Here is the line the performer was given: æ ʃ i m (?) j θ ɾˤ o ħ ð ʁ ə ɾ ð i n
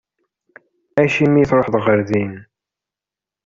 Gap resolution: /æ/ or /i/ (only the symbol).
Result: i